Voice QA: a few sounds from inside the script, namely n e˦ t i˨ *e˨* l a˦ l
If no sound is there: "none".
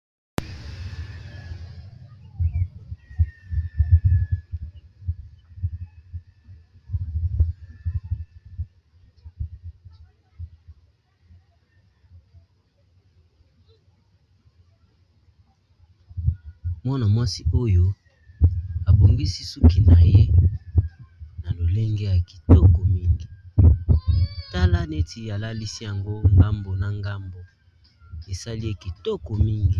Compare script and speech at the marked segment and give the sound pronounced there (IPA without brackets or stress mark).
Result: a˨